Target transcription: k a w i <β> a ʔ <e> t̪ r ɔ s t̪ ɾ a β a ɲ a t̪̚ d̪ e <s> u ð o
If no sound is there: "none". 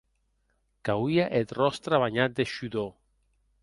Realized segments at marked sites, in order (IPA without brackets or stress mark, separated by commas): none, e, ʃ